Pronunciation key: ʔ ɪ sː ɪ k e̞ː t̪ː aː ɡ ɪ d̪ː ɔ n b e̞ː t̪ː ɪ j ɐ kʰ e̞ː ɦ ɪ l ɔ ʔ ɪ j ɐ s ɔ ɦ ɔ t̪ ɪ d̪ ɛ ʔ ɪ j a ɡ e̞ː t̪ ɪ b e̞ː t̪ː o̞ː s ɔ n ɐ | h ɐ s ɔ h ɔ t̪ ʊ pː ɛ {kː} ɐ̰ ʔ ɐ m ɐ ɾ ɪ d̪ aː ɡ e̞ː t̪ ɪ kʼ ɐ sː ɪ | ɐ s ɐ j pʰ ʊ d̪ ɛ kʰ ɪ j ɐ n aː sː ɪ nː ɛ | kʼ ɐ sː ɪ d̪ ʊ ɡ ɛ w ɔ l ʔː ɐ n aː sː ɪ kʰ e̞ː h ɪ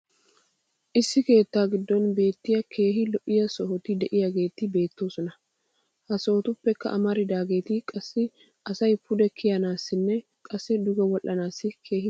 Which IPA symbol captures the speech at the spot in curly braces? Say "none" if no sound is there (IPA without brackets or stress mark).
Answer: kː